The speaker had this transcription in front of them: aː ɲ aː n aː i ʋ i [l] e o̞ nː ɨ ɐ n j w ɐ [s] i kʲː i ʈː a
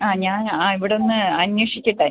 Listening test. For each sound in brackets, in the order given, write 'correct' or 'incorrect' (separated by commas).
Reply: incorrect, incorrect